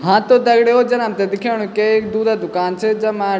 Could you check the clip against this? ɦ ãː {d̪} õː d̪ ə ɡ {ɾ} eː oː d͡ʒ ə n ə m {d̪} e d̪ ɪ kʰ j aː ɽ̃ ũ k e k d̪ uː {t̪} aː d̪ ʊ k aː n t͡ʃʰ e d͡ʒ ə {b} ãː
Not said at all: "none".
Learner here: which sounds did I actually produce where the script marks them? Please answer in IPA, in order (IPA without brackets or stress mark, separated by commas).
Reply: t̪, ɽ, t̪, d̪, m